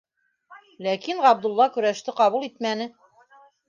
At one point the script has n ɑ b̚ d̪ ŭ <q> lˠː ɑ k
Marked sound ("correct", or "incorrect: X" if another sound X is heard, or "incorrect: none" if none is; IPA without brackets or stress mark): incorrect: none